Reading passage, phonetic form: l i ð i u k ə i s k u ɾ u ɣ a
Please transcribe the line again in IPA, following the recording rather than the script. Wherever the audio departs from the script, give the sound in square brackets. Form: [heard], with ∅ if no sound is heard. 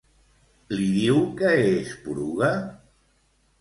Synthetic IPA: l i ð i [w] k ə [e] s [p] u ɾ u ɣ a